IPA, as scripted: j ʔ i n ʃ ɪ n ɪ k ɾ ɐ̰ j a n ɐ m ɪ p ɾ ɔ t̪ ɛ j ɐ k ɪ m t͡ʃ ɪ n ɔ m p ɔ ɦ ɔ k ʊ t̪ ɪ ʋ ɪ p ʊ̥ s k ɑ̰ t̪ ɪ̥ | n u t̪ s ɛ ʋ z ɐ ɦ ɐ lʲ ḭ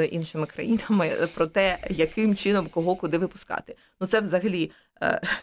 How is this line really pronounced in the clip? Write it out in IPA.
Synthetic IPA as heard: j ʔ i n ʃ ɪ m ɪ k ɾ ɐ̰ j i n ɐ m ɪ p ɾ ɔ t̪ ɛ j ɐ k ɪ m t͡ʃ ɪ n ɔ m k ɔ ɦ ɔ k ʊ d̪ ɪ ʋ ɪ p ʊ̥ s k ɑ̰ t̪ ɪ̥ | n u t̪ s ɛ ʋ z ɐ ɦ ɐ lʲ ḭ